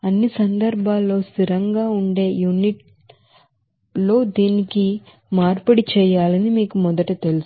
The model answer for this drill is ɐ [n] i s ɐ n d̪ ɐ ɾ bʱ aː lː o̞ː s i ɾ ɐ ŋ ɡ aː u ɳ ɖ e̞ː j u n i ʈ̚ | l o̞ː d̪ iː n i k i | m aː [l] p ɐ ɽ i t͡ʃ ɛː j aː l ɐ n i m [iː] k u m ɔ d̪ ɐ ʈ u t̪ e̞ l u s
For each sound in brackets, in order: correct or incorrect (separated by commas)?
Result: incorrect, incorrect, correct